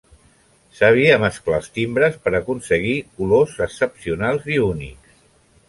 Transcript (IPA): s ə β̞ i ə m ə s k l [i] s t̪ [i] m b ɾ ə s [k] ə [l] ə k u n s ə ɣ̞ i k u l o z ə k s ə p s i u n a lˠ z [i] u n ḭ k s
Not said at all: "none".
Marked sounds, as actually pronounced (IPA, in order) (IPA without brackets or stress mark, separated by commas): a, i, p, ɾ, i